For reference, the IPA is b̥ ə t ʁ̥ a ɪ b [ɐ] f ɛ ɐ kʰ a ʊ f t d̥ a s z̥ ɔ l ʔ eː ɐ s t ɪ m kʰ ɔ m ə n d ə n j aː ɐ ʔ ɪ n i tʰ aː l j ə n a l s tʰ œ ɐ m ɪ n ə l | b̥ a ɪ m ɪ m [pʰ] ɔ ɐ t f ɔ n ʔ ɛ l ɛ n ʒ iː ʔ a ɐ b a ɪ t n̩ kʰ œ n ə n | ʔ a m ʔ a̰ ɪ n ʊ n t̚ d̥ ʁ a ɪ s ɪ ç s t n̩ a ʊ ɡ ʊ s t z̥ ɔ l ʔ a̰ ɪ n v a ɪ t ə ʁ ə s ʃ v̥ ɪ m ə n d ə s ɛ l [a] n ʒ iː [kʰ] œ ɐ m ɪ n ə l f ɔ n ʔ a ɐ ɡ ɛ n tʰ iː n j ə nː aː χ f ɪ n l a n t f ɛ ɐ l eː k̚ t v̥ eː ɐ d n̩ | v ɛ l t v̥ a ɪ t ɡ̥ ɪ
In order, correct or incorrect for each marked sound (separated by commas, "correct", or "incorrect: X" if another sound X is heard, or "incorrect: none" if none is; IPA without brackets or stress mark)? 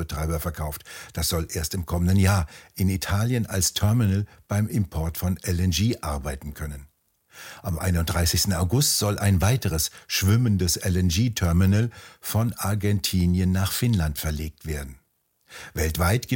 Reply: correct, correct, incorrect: ɛ, incorrect: tʰ